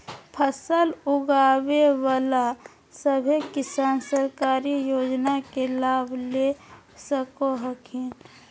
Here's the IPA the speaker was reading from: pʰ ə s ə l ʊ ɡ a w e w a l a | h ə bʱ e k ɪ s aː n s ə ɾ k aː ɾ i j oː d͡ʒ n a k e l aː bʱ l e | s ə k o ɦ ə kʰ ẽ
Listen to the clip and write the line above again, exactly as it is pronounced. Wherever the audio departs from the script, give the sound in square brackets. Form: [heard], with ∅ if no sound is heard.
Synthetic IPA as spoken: pʰ ə s ə l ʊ ɡ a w e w a l a | [s] ə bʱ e k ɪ s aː n s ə ɾ k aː ɾ i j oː d͡ʒ n a k e l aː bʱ l e | s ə k o ɦ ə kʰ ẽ